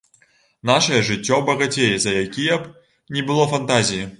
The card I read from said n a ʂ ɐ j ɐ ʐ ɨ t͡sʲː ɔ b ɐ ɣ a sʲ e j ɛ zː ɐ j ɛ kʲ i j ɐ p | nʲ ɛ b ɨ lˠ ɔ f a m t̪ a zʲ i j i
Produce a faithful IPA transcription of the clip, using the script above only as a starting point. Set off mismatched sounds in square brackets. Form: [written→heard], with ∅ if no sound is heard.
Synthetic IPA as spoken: n a ʂ ɐ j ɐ ʐ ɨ t͡sʲː ɔ b ɐ ɣ a [sʲ→t͡sʲ] e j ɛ [zː→z] ɐ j [ɛ→a] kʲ i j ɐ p | nʲ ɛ b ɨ lˠ ɔ f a [m→n] t̪ a zʲ i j i